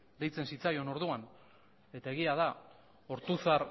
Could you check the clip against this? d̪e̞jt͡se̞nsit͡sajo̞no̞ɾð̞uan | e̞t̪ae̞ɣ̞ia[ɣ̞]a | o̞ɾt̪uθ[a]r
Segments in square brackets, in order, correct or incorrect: incorrect, correct

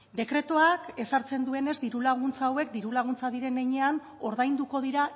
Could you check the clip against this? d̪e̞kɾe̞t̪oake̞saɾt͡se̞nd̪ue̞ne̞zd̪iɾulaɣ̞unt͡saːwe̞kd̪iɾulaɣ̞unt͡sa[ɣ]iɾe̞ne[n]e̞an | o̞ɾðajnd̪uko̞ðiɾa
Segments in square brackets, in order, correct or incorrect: incorrect, incorrect

